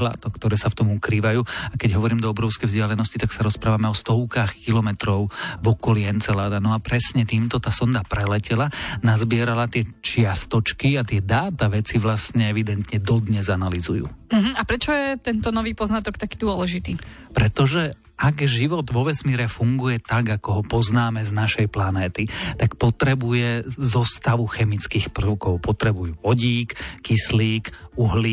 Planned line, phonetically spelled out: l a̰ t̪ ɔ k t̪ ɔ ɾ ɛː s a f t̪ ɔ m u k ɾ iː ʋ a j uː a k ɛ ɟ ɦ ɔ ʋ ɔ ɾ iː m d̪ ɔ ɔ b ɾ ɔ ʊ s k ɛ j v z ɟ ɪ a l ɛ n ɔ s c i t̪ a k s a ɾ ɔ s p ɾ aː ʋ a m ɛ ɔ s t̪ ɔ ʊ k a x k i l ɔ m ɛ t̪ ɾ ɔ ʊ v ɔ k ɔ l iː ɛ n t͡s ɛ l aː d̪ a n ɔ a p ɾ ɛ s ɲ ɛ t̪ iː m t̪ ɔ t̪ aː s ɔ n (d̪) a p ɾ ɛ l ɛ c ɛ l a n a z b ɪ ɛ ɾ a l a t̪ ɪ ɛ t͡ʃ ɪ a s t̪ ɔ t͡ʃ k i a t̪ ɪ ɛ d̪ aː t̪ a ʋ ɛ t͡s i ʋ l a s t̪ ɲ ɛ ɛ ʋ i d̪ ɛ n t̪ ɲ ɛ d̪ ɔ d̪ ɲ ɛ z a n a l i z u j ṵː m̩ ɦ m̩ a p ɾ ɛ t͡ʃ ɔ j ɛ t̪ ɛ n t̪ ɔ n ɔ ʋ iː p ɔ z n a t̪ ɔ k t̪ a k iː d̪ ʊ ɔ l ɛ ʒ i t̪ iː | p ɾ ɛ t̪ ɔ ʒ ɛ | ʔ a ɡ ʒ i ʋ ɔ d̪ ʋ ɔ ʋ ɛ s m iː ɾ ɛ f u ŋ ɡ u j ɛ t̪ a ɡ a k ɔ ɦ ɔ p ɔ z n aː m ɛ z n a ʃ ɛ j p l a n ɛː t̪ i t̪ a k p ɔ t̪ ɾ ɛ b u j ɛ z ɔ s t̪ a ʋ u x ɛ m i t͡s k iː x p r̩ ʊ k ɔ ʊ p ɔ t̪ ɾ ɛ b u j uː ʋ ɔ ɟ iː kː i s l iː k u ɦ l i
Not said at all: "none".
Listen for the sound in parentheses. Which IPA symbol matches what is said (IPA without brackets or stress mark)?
d̪